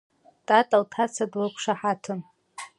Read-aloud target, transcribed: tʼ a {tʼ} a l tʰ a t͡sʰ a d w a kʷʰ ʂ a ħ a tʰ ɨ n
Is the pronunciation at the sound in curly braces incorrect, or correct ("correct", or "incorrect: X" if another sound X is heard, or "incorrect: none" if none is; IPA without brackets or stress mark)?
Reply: correct